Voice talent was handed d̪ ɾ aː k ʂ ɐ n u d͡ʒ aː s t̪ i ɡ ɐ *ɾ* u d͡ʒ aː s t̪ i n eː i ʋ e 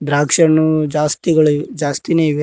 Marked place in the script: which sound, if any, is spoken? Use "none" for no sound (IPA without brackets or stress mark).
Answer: ɭ